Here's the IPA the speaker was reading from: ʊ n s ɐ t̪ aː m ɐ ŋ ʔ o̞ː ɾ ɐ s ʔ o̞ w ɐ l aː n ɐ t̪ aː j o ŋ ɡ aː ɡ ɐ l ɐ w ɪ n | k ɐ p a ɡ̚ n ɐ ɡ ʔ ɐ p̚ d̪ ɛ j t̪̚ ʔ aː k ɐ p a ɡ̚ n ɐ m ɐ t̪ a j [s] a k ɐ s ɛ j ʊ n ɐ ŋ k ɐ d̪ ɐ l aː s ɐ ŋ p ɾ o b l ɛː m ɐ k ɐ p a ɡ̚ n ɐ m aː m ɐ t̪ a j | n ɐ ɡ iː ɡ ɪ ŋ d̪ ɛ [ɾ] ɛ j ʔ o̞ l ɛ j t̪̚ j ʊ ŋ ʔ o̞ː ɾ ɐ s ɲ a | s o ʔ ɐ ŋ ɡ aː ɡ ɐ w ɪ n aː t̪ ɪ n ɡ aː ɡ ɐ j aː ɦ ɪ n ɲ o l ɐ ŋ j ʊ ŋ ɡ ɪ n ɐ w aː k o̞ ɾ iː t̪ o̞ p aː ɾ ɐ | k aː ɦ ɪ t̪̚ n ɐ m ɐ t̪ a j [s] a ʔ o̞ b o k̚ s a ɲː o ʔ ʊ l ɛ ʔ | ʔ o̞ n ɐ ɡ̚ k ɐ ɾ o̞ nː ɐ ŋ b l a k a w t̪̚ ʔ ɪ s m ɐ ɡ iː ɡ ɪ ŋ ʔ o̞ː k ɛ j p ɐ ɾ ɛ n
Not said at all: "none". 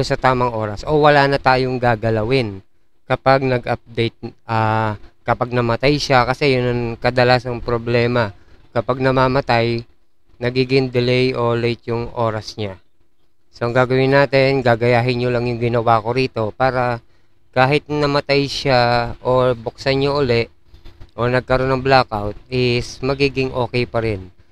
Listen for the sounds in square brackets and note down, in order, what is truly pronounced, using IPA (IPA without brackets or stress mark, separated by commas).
ʃ, l, ʃ